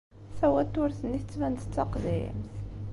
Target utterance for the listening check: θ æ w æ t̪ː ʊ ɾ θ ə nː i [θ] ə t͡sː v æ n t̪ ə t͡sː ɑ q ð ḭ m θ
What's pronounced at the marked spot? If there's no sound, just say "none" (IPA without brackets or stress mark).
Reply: θ